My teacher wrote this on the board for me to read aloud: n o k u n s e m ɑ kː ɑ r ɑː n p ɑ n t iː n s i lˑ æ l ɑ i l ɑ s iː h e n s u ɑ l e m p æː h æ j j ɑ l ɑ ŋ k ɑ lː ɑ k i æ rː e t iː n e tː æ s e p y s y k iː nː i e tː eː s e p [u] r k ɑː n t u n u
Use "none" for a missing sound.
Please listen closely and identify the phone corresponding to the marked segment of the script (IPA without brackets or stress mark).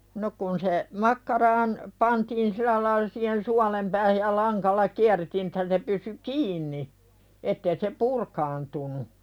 u